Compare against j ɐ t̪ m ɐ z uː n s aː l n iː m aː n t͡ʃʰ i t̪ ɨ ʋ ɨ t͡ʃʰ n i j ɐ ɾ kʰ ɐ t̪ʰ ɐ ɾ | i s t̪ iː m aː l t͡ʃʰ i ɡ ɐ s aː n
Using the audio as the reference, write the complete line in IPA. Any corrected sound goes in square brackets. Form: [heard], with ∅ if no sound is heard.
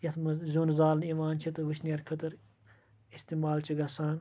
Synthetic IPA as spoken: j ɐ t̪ m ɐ z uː n [z] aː l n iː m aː n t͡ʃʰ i t̪ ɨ ʋ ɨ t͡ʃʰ n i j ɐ ɾ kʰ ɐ [t̪] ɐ ɾ | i s t̪ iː m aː l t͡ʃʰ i ɡ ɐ s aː n